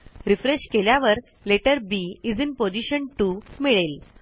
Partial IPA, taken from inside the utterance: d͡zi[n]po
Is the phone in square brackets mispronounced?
no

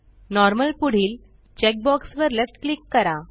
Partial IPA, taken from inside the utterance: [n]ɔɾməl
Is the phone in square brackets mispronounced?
no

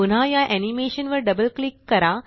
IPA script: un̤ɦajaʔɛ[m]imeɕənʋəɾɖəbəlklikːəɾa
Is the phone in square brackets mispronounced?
yes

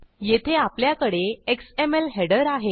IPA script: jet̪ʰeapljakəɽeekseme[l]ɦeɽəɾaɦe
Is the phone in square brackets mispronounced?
no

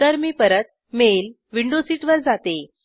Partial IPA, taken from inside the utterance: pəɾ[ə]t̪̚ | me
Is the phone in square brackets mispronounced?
no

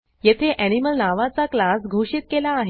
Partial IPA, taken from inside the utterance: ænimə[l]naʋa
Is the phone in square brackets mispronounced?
no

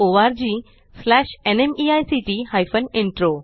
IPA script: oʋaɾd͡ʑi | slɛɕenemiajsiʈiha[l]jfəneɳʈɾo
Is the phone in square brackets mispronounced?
yes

